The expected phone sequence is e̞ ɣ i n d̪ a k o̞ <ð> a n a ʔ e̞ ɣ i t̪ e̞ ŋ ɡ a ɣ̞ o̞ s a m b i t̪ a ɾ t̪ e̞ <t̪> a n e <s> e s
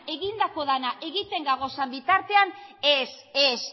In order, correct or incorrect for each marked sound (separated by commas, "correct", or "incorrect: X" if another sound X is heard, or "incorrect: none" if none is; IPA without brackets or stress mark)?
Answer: correct, incorrect: none, correct